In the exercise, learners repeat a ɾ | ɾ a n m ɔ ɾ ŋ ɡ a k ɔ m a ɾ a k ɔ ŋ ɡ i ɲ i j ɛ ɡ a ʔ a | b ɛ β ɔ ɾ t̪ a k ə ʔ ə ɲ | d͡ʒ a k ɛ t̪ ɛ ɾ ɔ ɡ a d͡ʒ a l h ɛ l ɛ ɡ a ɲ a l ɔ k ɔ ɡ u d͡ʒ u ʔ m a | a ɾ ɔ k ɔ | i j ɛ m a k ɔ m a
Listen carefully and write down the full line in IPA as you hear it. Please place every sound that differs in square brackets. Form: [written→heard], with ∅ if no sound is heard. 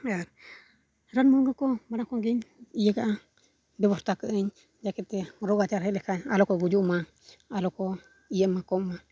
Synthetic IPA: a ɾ | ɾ a n m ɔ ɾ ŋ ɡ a k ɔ m a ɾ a k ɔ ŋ ɡ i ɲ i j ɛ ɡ a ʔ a | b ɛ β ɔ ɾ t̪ a k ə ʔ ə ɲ | d͡ʒ a k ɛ t̪ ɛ ɾ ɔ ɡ a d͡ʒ a [l→ɾ] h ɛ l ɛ [ɡ→k] a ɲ a l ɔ k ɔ ɡ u d͡ʒ u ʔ m a | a [ɾ→l] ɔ k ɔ | i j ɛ m a k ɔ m a